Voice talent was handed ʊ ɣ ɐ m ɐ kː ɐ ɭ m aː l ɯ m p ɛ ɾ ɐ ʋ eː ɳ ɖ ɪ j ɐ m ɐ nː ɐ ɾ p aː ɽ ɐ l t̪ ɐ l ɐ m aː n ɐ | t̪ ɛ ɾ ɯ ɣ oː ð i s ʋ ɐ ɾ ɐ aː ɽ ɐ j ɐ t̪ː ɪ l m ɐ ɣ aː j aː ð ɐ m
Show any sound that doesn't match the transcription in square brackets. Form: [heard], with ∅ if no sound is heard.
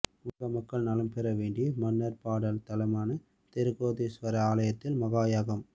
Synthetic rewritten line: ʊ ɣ ɐ m ɐ kː ɐ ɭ [n] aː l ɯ m p ɛ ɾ ɐ ʋ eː ɳ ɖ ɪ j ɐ m ɐ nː ɐ ɾ p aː ɽ ɐ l t̪ ɐ l ɐ m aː n ɐ | t̪ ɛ ɾ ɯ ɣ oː ð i s ʋ ɐ ɾ ɐ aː [l] ɐ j ɐ t̪ː ɪ l m ɐ ɣ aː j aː [ɣ] ɐ m